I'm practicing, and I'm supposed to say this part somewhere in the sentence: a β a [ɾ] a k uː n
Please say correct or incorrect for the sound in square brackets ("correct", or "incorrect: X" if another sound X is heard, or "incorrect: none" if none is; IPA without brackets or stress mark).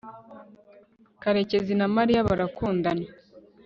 correct